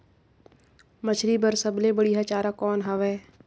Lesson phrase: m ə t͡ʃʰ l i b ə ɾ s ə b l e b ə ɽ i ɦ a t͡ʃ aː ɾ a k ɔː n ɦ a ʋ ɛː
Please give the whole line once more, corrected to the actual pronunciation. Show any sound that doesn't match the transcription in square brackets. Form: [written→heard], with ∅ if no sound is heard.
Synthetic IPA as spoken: m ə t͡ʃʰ [l→ɾ] i b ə ɾ s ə b l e b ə ɽ i ɦ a t͡ʃ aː ɾ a k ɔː n ɦ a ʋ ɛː